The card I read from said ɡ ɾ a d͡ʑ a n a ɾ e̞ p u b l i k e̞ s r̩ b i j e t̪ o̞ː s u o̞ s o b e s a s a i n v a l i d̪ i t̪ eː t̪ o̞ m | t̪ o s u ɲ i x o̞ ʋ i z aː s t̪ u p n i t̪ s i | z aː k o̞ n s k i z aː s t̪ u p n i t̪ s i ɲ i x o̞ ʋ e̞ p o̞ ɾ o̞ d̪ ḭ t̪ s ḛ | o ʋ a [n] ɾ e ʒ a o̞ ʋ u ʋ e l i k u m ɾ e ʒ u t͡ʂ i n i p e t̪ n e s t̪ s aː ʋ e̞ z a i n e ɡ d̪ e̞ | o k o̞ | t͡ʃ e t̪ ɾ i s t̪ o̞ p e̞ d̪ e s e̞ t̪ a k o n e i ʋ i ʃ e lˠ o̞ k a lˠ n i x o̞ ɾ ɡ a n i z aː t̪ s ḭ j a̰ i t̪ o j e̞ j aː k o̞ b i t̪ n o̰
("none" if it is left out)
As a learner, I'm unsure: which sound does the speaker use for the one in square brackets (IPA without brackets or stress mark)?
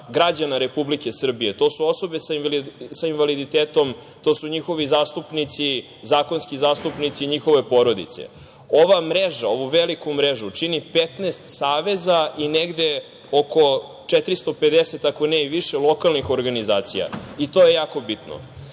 m